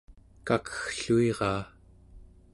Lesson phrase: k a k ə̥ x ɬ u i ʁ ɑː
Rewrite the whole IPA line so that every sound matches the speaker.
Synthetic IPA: k a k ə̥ x ɬ u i ʁ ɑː